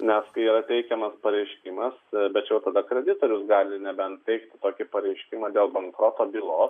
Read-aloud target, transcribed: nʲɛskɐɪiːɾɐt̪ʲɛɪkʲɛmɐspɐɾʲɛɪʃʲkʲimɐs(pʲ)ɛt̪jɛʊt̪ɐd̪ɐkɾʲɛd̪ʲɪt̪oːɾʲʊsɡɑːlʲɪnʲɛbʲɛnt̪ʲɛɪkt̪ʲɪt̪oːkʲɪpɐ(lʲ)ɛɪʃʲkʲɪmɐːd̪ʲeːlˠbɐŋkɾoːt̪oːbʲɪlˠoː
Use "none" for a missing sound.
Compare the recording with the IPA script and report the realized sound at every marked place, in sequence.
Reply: bʲ, ɾʲ

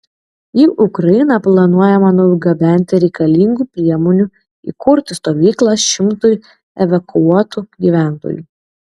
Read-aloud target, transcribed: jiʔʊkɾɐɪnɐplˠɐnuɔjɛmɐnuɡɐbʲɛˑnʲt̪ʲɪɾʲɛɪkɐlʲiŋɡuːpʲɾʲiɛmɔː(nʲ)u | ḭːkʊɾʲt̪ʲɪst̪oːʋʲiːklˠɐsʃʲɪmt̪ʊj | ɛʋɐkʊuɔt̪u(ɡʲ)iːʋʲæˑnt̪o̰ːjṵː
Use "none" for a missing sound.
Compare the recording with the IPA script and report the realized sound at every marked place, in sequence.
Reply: nʲ, ɡʲ

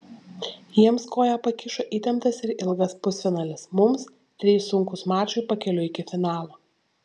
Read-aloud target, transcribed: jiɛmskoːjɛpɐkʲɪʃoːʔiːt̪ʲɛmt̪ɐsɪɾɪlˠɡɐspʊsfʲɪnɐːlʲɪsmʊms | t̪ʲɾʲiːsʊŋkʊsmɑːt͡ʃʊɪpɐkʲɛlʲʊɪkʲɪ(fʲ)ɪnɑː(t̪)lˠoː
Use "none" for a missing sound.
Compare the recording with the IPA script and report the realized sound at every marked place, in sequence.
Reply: fʲ, none

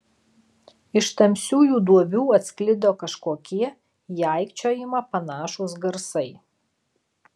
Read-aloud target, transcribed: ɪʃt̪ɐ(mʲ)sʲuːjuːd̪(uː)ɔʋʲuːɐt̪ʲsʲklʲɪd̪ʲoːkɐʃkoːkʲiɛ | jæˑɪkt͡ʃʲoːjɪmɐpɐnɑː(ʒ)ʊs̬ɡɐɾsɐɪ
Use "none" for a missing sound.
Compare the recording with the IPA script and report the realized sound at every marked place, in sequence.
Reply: mʲ, u, ʃ

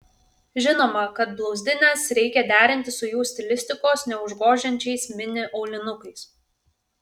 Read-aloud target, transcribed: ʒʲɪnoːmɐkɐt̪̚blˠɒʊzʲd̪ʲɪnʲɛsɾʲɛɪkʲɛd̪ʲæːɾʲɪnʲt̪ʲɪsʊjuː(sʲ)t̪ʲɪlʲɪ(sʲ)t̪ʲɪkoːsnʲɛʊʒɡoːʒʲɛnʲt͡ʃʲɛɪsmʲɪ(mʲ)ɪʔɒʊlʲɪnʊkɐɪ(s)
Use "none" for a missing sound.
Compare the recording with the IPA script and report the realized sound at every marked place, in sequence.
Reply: sʲ, sʲ, nʲ, s

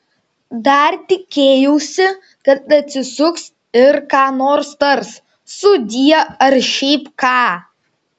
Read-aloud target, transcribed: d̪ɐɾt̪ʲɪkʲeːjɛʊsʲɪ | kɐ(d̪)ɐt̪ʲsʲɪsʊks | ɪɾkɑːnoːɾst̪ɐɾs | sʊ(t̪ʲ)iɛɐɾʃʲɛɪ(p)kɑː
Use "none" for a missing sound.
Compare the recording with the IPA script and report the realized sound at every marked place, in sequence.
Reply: t̪, d̪ʲ, p

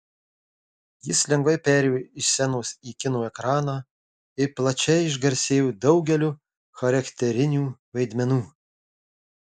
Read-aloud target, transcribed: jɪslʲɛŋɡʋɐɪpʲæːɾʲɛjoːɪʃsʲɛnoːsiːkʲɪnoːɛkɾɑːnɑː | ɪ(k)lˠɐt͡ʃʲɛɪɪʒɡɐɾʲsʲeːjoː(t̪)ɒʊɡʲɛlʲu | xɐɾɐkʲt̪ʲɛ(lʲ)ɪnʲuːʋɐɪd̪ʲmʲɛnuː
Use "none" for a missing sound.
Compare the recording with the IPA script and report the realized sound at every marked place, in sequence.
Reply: p, d̪, ɾʲ

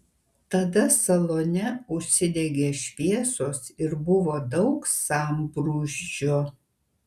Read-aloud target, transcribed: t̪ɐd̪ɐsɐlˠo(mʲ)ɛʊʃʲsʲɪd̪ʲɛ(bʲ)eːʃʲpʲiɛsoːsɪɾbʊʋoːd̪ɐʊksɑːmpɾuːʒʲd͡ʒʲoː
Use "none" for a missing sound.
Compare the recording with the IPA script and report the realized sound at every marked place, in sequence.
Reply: nʲ, ɡʲ

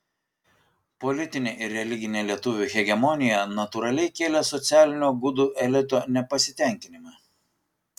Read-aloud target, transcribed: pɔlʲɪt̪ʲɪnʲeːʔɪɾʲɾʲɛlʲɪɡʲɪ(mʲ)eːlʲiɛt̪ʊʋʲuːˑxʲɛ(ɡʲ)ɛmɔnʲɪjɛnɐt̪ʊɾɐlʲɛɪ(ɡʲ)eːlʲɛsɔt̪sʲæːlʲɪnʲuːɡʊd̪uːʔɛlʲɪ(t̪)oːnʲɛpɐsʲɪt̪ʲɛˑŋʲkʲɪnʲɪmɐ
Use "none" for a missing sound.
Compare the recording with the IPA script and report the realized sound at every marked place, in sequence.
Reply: nʲ, ɡʲ, kʲ, t̪

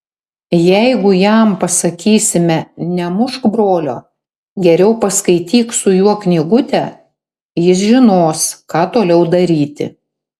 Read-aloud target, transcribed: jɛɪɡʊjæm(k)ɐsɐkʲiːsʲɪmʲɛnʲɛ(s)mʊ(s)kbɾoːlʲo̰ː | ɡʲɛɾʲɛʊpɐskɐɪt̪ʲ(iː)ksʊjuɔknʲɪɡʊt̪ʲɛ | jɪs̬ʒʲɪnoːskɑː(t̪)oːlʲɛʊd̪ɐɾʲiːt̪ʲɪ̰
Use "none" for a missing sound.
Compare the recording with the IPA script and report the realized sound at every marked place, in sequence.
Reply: p, none, ʃ, iː, t̪

